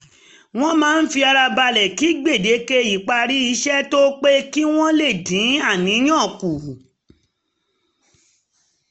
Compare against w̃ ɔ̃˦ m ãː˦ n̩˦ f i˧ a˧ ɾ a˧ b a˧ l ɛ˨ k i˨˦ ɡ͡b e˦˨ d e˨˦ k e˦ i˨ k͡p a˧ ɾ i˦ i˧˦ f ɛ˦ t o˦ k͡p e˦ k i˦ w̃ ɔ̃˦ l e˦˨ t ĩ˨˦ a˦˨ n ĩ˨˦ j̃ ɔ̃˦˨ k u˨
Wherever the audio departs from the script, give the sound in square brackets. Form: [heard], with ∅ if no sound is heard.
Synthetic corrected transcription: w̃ ɔ̃˦ m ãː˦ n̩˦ f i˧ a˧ ɾ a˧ b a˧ l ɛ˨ k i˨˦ ɡ͡b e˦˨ d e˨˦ k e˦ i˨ k͡p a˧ ɾ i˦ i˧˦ [ʃ] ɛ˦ t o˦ k͡p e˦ k i˦ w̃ ɔ̃˦ l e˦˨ [d] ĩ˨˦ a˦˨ n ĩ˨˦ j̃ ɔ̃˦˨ k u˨